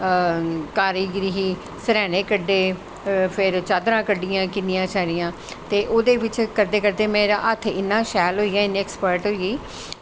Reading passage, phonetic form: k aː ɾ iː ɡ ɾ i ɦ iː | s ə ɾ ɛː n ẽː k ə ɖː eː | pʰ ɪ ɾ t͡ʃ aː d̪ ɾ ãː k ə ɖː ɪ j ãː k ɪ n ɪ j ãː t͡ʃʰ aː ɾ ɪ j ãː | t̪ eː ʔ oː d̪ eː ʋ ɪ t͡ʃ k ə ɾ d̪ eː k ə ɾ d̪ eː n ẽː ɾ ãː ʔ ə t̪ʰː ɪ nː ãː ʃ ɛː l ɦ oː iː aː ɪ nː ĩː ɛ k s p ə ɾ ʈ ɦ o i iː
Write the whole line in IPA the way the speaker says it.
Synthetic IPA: k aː ɾ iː ɡ ɾ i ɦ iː | s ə ɾ ɛː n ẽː k ə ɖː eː | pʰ ɪ ɾ t͡ʃ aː d̪ ɾ ãː k ə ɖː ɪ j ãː k ɪ n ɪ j ãː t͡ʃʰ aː ɾ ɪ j ãː | t̪ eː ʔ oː d̪ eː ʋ ɪ t͡ʃ k ə ɾ d̪ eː k ə ɾ d̪ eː m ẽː ɾ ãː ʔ ə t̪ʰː ɪ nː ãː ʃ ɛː l ɦ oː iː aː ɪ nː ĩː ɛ k s p ə ɾ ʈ ɦ o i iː